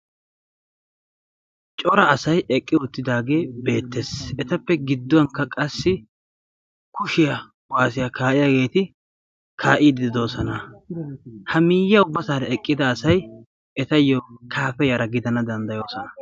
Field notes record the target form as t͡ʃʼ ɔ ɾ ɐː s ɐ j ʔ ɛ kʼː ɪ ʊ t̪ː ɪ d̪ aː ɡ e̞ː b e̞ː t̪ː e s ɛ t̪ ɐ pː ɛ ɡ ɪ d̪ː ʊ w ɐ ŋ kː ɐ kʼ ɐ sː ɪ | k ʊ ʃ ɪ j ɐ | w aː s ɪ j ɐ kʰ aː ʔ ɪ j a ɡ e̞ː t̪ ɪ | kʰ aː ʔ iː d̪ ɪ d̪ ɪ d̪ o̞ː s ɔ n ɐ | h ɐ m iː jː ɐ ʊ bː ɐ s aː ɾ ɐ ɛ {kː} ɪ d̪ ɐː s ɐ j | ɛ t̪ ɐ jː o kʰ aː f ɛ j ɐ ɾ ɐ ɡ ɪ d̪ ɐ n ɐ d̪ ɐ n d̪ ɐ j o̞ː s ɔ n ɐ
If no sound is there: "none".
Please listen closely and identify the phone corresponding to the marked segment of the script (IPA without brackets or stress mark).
kʼː